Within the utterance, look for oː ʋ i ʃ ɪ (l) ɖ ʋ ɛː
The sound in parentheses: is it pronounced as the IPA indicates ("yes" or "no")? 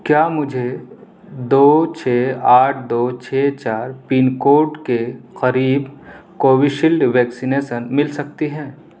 yes